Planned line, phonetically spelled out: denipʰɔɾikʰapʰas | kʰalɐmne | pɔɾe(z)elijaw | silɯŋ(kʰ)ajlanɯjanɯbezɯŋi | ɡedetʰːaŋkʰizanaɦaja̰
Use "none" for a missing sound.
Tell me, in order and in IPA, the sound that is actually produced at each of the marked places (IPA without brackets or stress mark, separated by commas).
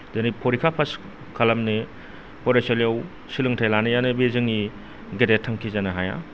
s, tʰ